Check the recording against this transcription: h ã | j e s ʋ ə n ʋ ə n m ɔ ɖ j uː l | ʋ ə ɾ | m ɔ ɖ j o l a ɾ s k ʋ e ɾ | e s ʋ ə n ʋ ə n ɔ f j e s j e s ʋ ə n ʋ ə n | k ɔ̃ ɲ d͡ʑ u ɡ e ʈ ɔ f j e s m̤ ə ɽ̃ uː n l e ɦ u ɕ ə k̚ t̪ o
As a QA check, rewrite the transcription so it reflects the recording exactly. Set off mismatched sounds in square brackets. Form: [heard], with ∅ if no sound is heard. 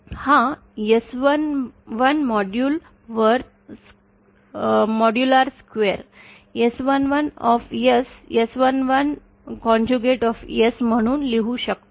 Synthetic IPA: h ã | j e s ʋ ə n ʋ ə n m ɔ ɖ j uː l | ʋ ə ɾ | m ɔ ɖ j [u] l a ɾ s k ʋ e ɾ | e s ʋ ə n ʋ ə n ɔ f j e s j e s ʋ ə n ʋ ə n | k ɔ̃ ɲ d͡ʑ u ɡ e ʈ ɔ f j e s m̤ ə ɽ̃ uː n l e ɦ u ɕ ə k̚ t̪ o